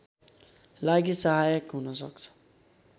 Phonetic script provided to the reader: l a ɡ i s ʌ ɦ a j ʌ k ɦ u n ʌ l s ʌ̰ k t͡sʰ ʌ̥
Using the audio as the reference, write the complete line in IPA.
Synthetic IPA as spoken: l a ɡ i s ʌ ɦ a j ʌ k ɦ u n ʌ s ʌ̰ k t͡sʰ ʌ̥